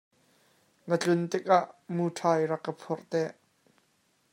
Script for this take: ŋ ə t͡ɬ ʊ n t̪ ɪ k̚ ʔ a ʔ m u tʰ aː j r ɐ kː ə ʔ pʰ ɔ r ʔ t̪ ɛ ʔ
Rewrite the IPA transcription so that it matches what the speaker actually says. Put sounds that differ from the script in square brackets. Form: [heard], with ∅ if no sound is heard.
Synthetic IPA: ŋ ə t͡ɬ ʊ n t̪ ɪ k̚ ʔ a ʔ m u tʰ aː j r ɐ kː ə [∅] pʰ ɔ r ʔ t̪ ɛ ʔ